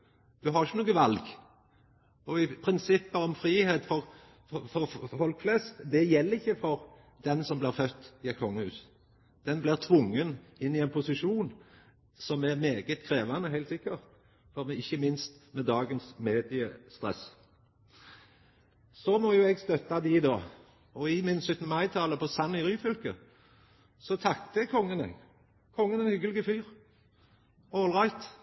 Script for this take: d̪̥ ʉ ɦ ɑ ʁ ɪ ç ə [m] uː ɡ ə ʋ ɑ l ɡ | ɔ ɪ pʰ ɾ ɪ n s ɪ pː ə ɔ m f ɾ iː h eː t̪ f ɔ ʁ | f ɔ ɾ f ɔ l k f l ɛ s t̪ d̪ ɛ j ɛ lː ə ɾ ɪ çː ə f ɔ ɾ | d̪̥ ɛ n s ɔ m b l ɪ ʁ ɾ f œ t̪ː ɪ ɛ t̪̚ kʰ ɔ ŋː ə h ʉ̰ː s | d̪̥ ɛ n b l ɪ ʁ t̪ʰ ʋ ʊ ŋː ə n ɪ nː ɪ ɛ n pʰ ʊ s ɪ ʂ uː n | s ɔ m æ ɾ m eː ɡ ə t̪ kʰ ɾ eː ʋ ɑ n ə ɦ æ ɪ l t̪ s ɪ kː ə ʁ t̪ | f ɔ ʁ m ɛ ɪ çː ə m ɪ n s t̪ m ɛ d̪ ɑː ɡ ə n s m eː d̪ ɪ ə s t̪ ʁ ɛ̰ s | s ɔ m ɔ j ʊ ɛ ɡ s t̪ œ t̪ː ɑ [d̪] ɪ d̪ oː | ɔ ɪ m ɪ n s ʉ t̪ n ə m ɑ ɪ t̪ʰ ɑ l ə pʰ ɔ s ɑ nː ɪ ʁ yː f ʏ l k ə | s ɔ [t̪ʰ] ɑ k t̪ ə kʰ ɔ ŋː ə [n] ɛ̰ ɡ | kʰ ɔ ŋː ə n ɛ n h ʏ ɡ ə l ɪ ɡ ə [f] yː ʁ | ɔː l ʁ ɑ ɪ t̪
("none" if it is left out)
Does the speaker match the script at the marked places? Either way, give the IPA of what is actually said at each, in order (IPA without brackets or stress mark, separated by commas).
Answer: n, d̪, t̪ʰ, n, f